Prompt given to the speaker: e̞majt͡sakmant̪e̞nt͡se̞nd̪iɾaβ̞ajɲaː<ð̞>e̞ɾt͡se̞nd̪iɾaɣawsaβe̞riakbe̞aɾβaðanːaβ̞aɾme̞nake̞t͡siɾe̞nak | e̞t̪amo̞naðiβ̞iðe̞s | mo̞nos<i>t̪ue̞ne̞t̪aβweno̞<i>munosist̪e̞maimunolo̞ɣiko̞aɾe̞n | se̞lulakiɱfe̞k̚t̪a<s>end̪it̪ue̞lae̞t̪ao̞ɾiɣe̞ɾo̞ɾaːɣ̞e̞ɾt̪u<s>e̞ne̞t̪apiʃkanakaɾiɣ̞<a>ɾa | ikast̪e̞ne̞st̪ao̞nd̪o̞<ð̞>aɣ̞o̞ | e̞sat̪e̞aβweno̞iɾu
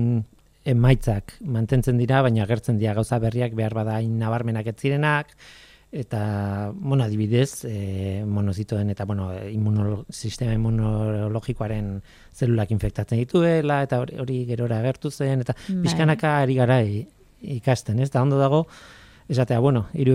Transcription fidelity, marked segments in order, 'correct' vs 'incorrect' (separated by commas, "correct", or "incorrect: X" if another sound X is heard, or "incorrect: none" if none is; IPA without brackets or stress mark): incorrect: ɣ̞, correct, correct, incorrect: t͡s, correct, correct, correct